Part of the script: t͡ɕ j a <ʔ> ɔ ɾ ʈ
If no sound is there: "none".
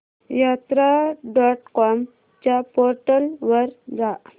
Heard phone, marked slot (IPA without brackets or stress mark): p